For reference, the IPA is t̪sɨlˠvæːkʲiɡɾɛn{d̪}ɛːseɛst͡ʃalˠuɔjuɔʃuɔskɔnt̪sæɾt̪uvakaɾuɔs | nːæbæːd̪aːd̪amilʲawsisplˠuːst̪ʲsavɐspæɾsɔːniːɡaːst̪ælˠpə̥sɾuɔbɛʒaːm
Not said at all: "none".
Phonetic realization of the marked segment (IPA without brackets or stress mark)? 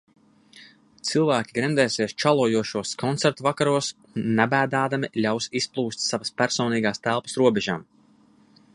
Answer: d̪